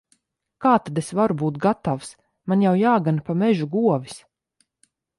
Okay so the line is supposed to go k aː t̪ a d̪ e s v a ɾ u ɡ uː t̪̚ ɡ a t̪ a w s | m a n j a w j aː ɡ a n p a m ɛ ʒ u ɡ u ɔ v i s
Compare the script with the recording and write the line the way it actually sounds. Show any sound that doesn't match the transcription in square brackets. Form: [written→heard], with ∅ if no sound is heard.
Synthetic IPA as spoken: k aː t̪ a d̪ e s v a ɾ u [ɡ→b] uː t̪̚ ɡ a t̪ a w s | m a n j a w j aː ɡ a n p a m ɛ ʒ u ɡ u ɔ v i s